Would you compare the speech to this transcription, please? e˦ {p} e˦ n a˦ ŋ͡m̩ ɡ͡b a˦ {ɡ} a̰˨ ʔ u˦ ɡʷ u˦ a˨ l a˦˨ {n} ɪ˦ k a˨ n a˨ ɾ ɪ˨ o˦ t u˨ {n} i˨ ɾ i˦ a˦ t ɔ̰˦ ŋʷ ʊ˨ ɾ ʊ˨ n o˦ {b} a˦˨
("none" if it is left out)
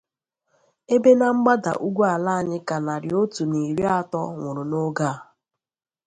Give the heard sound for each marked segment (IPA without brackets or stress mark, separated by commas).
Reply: b, d, ɲ, n, ɡ